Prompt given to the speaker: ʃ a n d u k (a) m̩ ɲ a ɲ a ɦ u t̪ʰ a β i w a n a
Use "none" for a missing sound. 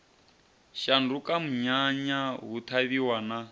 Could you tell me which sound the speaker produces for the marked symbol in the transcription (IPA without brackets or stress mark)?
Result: a